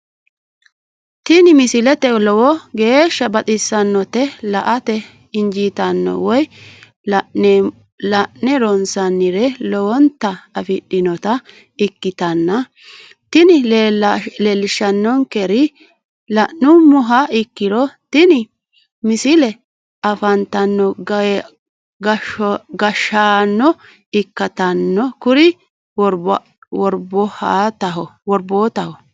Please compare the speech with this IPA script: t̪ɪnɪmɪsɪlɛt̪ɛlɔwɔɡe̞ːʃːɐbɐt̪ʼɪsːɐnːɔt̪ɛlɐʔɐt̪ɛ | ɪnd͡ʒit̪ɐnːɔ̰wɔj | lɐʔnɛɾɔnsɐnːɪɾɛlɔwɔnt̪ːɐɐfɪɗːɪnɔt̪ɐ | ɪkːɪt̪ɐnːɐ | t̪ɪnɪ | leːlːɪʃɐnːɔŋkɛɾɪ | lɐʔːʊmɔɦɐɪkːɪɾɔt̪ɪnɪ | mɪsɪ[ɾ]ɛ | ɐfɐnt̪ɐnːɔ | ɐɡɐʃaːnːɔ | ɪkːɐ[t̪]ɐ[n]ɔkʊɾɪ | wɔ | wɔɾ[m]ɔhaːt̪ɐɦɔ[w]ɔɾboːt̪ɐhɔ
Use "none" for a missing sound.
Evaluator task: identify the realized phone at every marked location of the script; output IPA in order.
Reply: l, t̪, nː, b, w

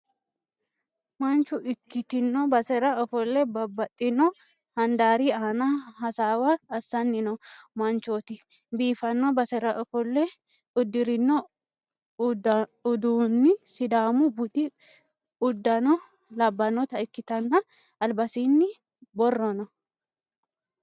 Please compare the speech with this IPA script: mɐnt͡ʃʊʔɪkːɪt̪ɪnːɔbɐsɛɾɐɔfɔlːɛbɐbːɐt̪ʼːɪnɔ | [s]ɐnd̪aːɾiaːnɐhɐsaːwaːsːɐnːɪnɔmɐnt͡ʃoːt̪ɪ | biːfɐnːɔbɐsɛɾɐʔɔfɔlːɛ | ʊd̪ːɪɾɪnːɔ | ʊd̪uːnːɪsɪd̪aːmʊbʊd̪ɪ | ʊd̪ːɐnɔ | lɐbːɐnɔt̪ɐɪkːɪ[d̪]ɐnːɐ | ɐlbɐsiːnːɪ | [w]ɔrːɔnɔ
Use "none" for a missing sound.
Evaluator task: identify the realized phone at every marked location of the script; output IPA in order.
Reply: h, t̪, b

